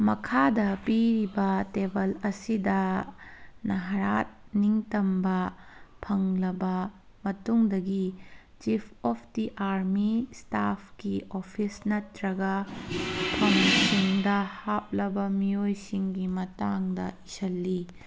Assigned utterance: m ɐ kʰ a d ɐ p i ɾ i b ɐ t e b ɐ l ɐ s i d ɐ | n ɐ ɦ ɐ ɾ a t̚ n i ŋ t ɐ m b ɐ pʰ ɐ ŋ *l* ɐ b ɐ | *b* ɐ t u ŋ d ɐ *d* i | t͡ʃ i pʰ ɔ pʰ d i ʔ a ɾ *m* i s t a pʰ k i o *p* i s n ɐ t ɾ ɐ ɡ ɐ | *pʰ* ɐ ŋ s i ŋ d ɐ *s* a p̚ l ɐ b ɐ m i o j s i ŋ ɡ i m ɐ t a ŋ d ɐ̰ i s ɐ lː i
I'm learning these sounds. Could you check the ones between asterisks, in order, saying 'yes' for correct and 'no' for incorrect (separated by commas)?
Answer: yes, no, no, yes, no, yes, no